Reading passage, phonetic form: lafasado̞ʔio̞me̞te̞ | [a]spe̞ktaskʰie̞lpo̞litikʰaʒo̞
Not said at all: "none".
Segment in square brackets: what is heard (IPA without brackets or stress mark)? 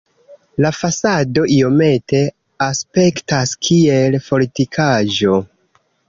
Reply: a